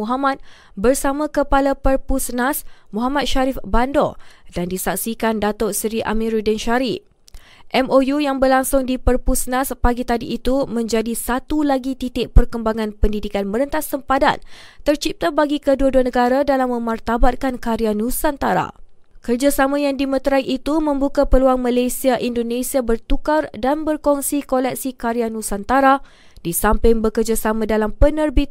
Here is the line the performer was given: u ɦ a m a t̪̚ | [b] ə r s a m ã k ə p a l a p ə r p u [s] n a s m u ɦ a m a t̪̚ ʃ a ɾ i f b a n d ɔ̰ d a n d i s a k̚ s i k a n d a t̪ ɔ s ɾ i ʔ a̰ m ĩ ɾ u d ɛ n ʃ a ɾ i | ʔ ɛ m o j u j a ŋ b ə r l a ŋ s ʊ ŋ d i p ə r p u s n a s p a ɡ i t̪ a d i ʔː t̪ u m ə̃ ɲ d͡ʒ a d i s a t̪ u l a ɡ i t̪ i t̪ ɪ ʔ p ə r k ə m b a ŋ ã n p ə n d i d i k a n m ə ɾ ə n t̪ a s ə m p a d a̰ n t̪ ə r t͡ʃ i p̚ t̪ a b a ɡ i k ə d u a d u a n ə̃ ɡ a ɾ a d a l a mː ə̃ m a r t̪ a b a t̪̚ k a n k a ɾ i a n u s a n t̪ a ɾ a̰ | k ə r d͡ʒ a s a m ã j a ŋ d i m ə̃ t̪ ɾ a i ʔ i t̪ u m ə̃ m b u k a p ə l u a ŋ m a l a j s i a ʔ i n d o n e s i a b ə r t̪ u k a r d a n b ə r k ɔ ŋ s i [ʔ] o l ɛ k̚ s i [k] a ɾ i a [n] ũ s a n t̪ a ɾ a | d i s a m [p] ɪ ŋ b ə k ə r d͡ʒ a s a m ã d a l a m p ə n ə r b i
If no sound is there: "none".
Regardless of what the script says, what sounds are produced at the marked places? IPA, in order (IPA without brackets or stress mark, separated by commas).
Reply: b, s, k, k, n, p